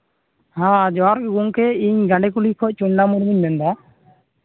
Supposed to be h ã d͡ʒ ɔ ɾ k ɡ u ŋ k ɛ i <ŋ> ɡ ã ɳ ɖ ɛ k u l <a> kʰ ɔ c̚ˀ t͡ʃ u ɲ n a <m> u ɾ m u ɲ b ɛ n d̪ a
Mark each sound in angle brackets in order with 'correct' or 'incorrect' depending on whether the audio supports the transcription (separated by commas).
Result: incorrect, incorrect, correct